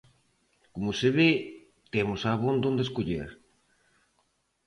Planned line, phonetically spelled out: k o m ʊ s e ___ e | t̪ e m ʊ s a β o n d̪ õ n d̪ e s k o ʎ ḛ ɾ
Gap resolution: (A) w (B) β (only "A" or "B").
B